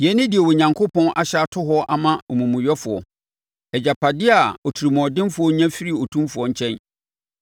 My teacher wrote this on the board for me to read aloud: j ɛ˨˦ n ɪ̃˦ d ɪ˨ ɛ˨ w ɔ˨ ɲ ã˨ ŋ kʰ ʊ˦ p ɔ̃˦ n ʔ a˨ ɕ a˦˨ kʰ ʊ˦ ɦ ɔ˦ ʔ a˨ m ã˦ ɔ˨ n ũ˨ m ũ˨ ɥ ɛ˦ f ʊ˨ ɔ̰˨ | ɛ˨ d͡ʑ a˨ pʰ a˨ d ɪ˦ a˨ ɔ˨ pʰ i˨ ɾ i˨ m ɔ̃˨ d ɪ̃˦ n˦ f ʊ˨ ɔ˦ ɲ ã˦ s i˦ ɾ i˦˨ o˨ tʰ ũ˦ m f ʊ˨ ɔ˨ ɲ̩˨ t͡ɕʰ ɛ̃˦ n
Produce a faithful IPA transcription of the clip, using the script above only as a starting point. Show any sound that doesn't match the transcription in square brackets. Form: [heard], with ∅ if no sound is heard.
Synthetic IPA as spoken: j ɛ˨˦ n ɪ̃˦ d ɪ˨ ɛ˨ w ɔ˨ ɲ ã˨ ŋ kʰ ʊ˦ p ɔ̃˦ n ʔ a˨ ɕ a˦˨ [tʰ] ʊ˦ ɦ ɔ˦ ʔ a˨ m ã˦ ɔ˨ [m] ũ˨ m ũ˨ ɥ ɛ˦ f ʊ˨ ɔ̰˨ | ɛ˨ d͡ʑ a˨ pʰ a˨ d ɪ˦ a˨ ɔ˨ [tʰ] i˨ ɾ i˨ m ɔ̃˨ d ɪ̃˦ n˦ f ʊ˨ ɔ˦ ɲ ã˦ [f] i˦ ɾ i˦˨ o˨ tʰ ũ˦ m f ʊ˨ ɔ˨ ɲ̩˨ t͡ɕʰ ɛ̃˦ n